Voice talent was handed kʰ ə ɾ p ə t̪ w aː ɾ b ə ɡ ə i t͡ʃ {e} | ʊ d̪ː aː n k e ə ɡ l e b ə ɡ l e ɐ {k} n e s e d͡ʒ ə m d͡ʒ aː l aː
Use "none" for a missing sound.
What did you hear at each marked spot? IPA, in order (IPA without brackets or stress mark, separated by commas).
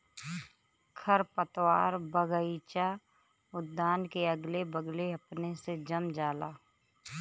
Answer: a, p